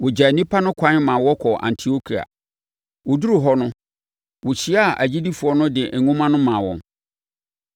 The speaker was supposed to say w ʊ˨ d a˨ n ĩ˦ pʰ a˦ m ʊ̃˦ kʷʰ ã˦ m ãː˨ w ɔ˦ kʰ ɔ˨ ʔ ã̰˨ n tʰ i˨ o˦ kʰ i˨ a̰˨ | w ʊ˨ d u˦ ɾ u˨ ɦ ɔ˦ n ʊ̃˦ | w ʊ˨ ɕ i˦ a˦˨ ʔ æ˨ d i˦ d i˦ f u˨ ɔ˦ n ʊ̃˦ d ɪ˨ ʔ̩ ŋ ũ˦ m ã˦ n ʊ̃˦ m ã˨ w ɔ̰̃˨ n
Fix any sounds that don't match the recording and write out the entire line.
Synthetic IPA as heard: w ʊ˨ d͡ʑ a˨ n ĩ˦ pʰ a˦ n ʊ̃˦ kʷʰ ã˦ m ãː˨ w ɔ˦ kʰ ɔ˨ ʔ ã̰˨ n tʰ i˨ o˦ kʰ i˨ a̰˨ | w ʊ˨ d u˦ ɾ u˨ ɦ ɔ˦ n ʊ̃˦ | w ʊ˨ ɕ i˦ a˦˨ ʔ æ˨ d͡ʑ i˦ d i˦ f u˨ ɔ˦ n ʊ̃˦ d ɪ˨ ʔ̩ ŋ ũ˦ m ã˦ n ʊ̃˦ m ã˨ w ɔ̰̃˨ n